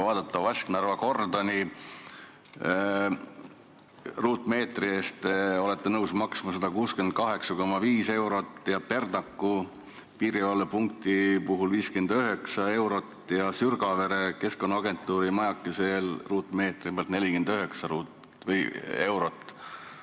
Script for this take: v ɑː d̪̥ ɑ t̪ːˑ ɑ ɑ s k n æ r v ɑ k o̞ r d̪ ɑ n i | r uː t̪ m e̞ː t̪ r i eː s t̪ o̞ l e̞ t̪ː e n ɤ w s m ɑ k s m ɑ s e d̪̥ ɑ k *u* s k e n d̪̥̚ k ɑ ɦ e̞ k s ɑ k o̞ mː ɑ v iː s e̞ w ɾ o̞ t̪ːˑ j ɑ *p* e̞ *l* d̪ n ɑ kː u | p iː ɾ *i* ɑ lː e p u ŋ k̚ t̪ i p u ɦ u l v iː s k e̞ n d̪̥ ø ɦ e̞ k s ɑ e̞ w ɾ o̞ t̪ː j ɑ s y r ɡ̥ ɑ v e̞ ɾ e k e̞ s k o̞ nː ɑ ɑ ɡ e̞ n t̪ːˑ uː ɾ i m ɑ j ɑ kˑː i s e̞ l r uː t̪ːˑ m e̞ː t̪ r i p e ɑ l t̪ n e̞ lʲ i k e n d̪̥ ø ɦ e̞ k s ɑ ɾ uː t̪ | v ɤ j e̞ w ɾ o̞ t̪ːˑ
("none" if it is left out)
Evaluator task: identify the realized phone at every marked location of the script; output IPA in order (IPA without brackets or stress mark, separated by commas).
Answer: uː, p, r, i